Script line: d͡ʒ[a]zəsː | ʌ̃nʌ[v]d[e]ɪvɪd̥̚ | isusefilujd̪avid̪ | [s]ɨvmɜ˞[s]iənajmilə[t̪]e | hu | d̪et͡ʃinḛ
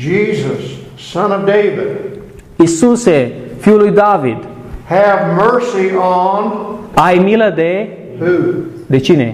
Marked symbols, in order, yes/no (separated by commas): no, yes, yes, no, yes, no